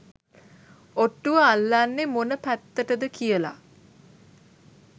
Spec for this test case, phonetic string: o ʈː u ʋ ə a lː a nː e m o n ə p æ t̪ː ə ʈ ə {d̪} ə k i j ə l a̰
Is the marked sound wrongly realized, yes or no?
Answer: no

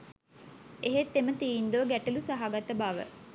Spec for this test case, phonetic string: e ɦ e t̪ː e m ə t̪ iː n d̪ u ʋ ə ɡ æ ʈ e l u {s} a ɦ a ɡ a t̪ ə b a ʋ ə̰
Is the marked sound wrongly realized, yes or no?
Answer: no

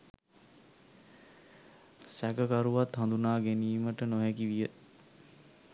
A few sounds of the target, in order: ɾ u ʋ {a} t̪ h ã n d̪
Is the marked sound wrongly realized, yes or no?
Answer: no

